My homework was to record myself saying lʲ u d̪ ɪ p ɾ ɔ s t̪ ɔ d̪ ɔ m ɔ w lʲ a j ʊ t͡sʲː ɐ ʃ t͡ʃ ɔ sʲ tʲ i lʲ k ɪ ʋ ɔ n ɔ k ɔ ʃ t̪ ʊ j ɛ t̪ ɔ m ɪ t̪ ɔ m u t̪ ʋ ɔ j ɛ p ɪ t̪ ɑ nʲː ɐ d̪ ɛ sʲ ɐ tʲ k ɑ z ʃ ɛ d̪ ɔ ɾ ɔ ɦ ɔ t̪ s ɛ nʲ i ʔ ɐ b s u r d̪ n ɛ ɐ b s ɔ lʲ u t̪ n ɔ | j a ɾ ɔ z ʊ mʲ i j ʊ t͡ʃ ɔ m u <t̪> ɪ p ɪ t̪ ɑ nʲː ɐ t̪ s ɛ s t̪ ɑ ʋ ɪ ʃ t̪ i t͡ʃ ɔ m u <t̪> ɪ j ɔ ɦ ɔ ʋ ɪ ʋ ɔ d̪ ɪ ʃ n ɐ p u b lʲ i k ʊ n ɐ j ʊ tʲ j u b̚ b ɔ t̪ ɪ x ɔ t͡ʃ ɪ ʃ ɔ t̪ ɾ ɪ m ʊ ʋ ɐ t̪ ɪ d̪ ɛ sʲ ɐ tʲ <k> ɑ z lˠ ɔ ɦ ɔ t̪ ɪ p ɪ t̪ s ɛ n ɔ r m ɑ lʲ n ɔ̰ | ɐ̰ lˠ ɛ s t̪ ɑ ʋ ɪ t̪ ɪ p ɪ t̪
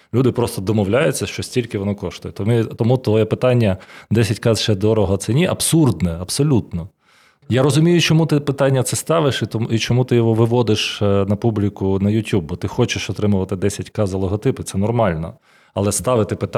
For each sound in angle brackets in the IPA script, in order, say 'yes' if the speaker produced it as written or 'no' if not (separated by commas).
yes, yes, yes